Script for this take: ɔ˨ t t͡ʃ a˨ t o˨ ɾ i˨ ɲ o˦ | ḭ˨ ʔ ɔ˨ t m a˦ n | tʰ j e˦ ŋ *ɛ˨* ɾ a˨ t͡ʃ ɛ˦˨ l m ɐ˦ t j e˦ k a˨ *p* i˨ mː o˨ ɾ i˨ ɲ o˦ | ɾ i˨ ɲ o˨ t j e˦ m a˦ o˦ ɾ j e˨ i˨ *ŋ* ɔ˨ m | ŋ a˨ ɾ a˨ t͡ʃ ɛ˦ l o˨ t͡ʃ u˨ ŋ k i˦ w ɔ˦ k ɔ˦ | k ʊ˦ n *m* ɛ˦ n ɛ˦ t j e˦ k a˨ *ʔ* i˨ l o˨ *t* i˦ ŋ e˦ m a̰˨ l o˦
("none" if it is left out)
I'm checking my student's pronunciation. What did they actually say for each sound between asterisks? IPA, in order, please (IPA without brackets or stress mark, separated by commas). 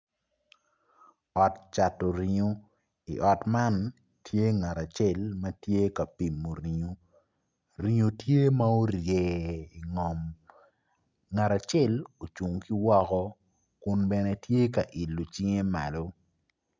a˨, p, ŋ, b, ʔ, t͡ʃ